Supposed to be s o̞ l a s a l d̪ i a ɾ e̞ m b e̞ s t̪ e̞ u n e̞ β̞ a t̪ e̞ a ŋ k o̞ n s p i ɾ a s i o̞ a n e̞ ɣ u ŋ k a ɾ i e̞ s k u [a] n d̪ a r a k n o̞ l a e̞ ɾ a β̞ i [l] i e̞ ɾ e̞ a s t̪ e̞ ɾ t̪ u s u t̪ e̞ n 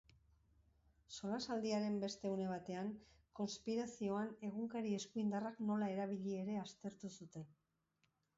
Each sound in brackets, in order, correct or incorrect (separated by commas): incorrect, incorrect